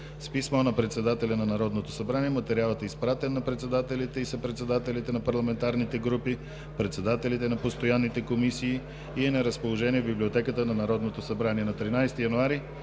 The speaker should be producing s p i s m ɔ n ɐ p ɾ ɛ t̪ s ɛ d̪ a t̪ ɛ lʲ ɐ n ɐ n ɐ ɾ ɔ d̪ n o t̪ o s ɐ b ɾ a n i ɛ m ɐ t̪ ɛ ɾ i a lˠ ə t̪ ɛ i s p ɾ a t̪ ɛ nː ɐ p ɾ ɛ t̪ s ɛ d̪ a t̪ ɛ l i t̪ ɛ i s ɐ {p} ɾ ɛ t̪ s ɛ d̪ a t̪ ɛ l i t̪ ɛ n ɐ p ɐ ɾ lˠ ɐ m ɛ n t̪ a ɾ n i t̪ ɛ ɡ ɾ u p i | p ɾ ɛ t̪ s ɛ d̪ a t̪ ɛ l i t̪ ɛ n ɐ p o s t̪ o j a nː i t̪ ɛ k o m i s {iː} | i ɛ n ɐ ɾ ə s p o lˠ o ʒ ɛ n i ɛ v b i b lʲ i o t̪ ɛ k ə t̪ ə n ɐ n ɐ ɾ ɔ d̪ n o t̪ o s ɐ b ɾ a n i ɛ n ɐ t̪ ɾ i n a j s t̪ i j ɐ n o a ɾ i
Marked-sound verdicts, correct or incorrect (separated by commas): correct, correct